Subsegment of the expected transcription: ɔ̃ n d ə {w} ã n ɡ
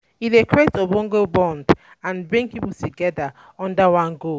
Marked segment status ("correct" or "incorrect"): correct